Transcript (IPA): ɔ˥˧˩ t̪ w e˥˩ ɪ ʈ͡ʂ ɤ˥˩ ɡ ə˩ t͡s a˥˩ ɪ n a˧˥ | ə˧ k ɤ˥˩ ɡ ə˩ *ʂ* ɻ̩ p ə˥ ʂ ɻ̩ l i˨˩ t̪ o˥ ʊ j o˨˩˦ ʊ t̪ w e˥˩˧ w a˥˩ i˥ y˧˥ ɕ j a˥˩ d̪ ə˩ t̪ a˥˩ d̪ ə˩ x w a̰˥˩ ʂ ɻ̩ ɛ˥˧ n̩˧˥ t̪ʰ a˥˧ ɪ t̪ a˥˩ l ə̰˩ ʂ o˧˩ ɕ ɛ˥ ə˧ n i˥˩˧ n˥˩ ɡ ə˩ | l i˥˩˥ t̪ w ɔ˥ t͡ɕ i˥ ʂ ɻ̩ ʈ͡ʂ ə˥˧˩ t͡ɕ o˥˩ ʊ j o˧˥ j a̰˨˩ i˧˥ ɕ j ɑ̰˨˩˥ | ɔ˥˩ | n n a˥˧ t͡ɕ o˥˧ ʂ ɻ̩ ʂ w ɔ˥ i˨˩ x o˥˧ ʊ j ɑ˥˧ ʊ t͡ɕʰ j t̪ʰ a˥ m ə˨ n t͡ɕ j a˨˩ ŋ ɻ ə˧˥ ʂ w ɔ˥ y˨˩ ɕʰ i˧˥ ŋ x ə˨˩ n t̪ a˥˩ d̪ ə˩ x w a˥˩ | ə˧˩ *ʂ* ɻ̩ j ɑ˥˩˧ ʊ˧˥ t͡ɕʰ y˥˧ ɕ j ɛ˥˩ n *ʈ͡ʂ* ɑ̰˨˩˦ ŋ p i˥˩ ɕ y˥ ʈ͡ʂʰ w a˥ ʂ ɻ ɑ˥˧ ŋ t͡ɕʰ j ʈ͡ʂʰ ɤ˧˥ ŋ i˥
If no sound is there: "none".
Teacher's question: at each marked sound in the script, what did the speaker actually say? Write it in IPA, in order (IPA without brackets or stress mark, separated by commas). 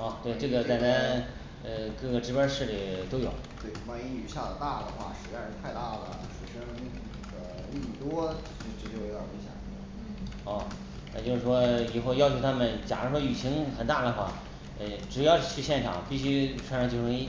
ʈ͡ʂ, ʈ͡ʂ, ʈ͡ʂʰ